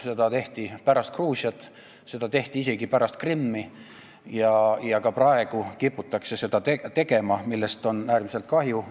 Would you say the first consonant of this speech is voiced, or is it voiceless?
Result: voiceless